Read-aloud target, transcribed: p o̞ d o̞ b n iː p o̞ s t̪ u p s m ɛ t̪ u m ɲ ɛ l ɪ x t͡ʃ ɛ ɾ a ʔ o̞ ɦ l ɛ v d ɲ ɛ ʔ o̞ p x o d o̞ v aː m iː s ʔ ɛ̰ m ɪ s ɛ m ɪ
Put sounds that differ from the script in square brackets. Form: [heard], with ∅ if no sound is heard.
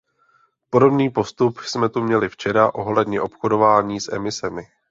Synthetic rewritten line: p o̞ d o̞ b n iː p o̞ s t̪ u p s m ɛ t̪ u m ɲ ɛ l ɪ [f] t͡ʃ ɛ ɾ a ʔ o̞ ɦ l ɛ [∅] d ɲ ɛ ʔ o̞ p x o d o̞ v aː [ɲ] iː s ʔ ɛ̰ m ɪ s ɛ m ɪ